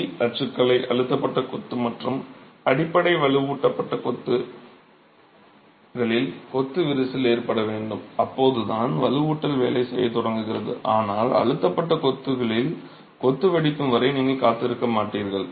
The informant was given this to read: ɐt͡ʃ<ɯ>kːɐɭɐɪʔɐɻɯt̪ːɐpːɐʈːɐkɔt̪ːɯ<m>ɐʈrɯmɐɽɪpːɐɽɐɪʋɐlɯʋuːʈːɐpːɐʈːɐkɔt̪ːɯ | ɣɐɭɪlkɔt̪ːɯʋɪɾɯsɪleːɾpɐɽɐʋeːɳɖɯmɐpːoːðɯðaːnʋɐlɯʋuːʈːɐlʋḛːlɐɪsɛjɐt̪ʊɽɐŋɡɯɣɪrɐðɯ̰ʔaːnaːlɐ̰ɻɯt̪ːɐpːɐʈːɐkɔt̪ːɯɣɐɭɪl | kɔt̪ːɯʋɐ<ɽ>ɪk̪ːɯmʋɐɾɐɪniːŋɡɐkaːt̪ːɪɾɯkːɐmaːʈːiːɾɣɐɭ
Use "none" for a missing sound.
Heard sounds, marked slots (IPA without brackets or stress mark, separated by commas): ɯ, m, ɽ